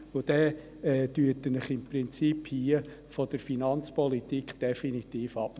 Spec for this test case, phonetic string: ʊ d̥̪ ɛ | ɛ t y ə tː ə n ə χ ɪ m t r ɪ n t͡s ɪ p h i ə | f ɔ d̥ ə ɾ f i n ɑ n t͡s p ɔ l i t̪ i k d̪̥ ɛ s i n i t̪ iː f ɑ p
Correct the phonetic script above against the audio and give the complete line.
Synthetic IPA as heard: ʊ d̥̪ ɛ | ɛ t y ə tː ə n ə χ ɪ m p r ɪ n t͡s i p h i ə | f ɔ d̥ ə ɾ f i n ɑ n t͡s p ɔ l i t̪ i k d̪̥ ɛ f i n i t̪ iː f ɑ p